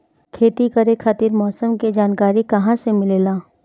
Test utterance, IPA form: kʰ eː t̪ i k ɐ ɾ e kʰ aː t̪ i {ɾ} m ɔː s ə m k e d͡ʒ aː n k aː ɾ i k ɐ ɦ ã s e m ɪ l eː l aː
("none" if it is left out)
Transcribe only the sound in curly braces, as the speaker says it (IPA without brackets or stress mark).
ɾ